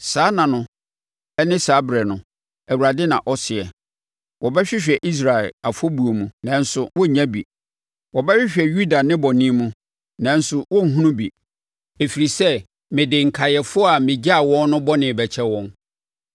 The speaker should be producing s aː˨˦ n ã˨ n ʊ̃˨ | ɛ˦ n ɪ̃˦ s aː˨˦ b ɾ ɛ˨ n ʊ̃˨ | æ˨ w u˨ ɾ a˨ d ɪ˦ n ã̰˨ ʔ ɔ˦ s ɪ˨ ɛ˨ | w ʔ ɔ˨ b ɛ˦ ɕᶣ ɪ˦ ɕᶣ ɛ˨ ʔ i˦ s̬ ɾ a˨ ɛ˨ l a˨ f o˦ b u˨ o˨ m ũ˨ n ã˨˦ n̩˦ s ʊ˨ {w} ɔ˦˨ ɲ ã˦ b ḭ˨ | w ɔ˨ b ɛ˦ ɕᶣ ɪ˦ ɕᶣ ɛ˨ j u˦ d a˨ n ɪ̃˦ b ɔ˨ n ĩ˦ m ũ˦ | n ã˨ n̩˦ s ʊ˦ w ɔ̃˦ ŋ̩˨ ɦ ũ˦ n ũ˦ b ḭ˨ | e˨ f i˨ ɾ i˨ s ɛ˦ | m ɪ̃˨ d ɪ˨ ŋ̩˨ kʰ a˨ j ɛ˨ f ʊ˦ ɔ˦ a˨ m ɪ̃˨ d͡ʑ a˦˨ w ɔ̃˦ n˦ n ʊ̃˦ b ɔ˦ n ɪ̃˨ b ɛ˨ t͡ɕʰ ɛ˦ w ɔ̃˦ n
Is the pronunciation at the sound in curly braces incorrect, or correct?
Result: correct